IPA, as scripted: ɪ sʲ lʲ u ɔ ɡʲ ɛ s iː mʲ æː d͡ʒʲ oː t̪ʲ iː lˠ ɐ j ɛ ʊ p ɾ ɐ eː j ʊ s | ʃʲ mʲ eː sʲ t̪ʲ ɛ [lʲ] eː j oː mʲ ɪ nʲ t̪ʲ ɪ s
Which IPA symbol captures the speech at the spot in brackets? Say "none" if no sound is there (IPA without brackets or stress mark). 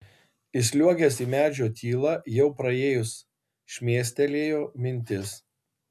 lʲ